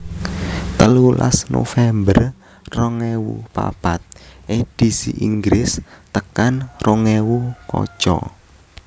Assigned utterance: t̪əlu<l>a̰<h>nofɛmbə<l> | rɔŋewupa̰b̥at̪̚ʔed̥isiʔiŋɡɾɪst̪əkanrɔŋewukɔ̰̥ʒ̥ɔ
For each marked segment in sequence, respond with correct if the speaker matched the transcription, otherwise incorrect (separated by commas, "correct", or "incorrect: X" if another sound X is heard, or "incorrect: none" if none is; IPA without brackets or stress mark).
correct, incorrect: s, incorrect: r